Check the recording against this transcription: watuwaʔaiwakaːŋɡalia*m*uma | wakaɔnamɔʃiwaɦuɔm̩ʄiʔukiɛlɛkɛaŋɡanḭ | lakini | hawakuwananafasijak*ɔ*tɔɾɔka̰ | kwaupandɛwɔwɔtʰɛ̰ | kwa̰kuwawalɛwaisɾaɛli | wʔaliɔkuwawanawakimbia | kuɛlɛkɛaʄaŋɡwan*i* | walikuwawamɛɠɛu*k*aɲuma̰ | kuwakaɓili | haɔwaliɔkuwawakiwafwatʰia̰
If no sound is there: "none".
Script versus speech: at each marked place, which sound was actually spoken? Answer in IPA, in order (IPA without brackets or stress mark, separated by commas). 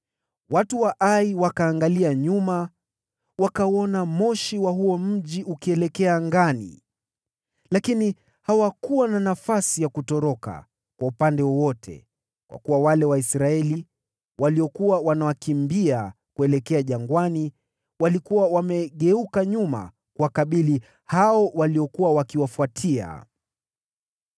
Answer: ɲ, u, i, k